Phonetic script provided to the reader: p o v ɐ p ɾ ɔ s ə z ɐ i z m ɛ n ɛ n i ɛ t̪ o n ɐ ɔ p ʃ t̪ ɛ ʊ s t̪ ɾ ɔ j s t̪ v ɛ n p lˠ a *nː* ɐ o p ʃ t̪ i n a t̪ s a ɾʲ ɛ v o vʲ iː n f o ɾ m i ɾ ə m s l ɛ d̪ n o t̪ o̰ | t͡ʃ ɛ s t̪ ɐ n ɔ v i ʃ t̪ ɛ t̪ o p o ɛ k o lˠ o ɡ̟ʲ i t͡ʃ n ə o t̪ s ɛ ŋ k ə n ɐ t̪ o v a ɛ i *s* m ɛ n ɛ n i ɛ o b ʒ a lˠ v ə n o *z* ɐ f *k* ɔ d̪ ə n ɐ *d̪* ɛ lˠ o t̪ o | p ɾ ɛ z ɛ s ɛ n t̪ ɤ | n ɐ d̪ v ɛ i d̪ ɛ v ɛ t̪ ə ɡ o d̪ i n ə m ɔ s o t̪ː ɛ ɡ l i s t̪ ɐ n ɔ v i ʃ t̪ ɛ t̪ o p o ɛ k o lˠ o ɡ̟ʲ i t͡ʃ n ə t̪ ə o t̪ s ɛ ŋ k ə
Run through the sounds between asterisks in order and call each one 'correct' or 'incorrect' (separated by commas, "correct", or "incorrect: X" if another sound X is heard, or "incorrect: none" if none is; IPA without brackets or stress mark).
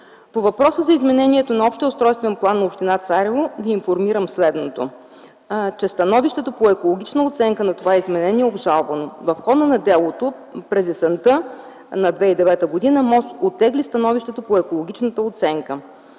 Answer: correct, incorrect: z, incorrect: v, incorrect: x, correct